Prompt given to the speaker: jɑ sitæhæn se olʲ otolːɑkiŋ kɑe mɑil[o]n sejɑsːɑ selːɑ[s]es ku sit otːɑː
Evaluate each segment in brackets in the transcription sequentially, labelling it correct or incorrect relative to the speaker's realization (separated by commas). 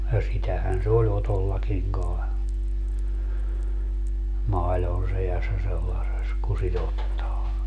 correct, correct